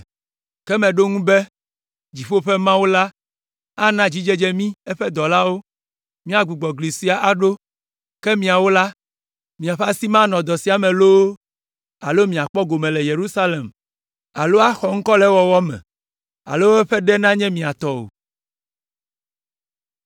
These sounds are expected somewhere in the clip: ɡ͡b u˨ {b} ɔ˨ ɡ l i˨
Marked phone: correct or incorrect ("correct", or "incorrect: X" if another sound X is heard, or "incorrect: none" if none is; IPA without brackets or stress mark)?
incorrect: ɡ͡b